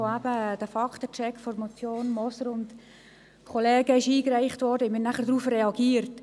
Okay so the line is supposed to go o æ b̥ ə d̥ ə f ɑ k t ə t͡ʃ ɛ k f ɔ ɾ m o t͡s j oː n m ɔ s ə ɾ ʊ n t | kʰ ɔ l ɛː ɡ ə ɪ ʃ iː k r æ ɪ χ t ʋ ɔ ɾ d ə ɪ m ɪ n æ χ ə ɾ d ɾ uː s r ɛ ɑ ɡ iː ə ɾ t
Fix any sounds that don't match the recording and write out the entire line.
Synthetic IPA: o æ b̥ ə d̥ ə f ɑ k t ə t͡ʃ ɛ k f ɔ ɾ m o t͡s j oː n m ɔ s ə ɾ ʊ n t | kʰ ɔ l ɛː ɡ ə ɪ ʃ iː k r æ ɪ χ t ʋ ɔ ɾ d ə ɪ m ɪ n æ χ ə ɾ d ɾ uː f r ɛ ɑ ɡ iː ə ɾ t